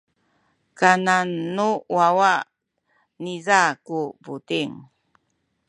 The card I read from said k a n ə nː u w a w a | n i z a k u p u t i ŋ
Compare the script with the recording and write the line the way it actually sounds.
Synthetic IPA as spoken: k a n a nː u w a w a | n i z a k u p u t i ŋ